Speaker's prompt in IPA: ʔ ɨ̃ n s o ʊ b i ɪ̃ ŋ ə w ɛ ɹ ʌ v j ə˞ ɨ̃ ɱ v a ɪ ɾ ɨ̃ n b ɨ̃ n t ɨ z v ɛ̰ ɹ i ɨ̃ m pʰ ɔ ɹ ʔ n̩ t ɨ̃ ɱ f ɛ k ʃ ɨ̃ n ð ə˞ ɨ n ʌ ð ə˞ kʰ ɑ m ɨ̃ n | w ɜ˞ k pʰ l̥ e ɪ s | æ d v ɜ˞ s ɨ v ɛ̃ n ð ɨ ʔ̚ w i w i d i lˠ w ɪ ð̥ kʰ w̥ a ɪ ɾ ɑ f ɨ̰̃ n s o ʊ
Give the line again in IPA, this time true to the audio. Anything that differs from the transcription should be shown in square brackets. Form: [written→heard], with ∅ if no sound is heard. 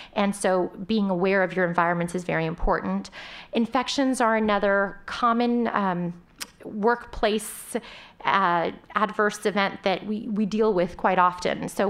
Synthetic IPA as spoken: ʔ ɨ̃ n s o ʊ b i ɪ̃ ŋ ə w ɛ ɹ ʌ v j ə˞ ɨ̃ ɱ v a ɪ [ɾ→ɹ] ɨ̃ n [b→m] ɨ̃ n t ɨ z v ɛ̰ ɹ i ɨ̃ m pʰ ɔ ɹ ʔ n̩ t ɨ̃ ɱ f ɛ k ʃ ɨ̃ n [ð→z] ə˞ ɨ n ʌ ð ə˞ kʰ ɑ m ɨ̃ n | w ɜ˞ k pʰ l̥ e ɪ s | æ d v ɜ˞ s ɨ v ɛ̃ n ð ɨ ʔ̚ w i w i d i lˠ w ɪ ð̥ kʰ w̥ a ɪ ɾ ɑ f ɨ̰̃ n s o ʊ